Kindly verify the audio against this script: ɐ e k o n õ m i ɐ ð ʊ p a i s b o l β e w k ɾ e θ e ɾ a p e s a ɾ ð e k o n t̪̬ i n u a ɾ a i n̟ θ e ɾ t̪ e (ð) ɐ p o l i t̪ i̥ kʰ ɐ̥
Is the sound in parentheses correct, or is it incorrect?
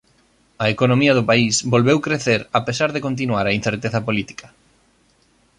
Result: incorrect